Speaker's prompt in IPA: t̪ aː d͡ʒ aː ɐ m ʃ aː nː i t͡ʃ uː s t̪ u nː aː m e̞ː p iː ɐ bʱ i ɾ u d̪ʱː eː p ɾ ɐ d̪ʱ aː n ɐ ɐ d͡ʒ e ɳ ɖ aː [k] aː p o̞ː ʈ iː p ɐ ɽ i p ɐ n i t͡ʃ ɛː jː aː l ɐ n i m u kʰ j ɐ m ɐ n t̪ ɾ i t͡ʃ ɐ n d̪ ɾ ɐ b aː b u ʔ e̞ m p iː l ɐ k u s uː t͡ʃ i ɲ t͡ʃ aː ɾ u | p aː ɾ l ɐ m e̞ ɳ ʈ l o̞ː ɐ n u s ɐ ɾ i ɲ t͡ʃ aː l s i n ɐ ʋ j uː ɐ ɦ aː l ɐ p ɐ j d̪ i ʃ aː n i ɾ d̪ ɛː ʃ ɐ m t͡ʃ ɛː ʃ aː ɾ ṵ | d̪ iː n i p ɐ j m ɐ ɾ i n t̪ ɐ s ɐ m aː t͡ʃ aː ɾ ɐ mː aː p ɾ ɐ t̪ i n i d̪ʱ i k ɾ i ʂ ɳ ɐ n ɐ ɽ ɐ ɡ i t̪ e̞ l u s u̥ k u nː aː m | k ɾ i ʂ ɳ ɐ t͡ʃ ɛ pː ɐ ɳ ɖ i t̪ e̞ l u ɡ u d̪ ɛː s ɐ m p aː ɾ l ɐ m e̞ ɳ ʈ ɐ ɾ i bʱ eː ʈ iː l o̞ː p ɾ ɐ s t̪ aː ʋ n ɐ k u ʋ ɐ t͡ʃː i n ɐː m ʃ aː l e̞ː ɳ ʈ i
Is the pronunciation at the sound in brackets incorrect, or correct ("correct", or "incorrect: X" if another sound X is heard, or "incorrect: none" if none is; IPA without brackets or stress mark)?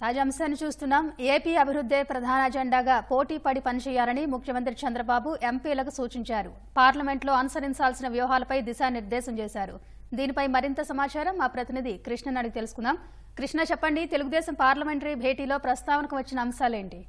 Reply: incorrect: ɡ